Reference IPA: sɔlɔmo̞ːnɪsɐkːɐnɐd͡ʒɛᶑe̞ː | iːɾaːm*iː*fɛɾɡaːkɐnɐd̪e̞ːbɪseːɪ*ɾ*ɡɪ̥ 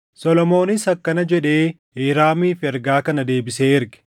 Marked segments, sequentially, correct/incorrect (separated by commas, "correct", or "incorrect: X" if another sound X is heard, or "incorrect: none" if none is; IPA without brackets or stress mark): correct, correct